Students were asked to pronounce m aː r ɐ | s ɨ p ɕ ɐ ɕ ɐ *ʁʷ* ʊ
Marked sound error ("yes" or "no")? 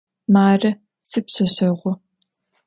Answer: no